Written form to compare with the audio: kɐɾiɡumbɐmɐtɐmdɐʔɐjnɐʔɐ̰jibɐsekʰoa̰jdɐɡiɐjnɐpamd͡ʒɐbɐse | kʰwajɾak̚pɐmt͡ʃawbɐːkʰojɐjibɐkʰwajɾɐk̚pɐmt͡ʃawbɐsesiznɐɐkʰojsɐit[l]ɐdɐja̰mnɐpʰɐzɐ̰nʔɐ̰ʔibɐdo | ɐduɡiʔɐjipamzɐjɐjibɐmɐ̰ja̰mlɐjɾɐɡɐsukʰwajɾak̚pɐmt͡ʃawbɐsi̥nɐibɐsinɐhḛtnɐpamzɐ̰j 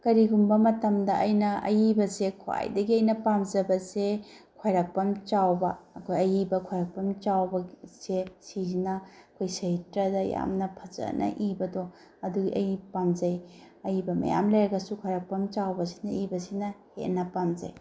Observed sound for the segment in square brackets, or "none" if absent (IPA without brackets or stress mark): ɾ